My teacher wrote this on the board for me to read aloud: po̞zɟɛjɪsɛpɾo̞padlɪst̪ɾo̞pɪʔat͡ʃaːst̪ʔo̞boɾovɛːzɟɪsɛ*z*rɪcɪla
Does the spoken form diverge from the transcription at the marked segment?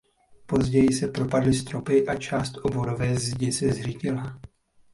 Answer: no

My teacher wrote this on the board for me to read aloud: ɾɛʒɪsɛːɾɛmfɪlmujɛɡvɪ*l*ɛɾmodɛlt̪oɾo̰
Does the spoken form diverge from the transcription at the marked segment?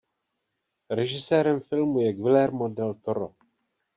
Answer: no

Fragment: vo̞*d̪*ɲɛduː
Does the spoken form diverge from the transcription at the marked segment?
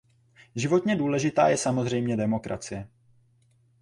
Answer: yes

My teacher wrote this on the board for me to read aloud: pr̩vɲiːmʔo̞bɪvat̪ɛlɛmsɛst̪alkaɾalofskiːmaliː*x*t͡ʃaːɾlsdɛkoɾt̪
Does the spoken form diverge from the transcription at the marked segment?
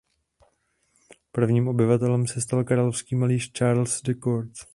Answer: yes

